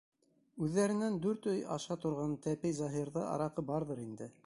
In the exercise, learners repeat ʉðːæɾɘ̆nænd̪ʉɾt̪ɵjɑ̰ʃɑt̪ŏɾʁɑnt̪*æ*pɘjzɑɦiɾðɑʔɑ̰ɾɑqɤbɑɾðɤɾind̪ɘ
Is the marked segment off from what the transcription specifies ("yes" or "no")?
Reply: no